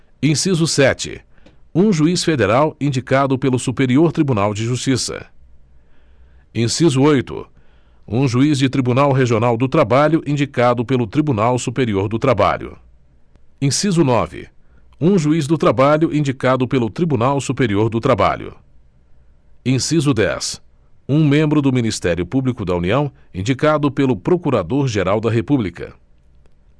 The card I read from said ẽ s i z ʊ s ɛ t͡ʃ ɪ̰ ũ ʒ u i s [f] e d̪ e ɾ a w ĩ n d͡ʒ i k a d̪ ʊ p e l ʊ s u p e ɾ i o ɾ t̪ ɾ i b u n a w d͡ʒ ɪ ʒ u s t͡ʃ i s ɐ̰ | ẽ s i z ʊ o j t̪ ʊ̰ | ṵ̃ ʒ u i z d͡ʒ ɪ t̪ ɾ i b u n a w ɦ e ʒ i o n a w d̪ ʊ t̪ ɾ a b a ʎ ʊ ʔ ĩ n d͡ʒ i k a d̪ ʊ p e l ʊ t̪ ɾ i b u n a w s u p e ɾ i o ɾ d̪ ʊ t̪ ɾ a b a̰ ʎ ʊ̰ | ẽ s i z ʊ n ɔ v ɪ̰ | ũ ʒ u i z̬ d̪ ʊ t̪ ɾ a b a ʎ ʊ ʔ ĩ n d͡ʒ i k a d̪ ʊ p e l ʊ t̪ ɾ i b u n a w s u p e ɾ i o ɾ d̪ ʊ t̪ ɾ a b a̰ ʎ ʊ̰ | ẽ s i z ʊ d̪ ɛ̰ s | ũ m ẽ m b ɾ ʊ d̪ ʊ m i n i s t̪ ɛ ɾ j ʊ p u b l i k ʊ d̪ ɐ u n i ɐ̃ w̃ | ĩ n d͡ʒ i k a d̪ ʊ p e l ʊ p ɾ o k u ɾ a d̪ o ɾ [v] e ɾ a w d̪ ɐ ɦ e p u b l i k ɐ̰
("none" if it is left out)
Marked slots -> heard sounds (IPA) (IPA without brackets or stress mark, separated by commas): f, ʒ